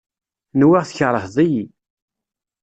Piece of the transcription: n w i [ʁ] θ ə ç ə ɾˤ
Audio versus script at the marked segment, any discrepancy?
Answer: no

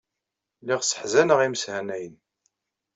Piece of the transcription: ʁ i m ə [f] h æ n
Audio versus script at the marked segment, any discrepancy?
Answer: yes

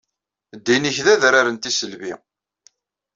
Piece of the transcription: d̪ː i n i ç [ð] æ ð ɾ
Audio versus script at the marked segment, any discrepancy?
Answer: no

